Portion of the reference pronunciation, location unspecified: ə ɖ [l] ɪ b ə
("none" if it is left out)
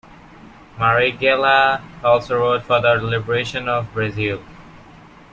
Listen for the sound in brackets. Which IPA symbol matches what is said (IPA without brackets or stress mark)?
l